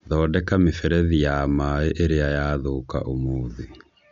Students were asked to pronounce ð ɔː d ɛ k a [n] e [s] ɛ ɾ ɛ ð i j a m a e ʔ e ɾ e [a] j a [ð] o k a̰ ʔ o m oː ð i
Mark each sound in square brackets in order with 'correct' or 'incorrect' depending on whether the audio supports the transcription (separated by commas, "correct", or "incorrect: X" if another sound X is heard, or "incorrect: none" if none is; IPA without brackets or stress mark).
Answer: incorrect: m, incorrect: f, correct, correct